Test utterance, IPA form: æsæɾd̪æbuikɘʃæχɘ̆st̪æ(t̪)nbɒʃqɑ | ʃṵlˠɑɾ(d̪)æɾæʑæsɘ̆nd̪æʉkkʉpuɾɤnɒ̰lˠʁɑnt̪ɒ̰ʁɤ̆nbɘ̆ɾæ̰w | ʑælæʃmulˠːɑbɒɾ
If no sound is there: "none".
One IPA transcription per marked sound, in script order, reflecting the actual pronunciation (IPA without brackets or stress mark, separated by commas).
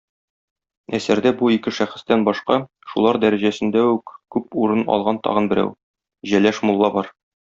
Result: none, d̪